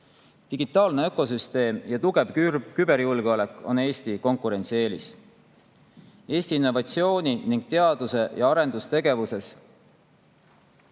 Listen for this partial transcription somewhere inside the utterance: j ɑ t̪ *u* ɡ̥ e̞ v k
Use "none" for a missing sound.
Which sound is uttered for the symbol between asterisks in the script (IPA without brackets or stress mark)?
u